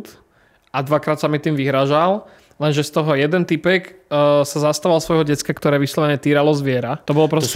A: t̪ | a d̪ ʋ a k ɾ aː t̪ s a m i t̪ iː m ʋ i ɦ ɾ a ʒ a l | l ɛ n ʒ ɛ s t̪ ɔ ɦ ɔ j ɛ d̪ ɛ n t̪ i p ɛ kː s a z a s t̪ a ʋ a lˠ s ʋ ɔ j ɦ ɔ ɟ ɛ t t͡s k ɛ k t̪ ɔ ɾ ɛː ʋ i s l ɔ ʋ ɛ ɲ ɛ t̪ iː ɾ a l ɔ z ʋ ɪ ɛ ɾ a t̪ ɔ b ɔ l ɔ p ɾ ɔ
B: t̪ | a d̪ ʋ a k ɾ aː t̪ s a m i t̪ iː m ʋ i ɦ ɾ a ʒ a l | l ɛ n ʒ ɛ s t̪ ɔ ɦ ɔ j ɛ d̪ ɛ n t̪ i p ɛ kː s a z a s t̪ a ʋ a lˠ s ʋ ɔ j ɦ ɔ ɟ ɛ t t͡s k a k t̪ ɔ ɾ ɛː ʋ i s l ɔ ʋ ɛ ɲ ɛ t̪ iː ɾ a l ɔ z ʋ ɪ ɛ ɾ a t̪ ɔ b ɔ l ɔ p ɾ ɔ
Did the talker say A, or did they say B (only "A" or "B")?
B